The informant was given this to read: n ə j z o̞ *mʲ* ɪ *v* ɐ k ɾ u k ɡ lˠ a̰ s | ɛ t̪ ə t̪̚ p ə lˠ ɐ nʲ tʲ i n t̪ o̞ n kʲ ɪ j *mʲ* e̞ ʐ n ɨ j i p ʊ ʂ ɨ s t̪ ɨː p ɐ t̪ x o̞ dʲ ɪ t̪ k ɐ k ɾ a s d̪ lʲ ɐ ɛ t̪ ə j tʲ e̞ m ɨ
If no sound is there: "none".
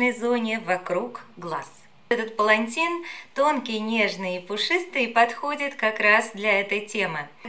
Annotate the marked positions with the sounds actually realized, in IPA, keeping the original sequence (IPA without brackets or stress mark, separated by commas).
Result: nʲ, v, nʲ